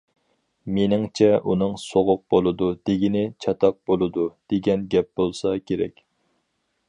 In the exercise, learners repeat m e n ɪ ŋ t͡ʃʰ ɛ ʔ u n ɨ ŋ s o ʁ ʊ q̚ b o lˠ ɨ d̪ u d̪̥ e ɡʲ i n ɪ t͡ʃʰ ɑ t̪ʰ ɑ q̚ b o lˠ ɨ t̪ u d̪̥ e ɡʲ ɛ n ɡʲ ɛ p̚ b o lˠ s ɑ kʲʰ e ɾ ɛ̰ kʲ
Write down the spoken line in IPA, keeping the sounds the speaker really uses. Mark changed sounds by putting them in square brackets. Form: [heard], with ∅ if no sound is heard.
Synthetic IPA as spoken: m e n ɪ ŋ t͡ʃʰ ɛ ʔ u n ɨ ŋ s o ʁ ʊ q̚ b o lˠ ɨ d̪ u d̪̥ e ɡʲ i n ɪ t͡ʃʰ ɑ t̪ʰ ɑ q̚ b o lˠ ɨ [d̪] u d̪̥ e ɡʲ ɛ n ɡʲ ɛ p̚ b o lˠ s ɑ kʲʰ e ɾ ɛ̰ kʲ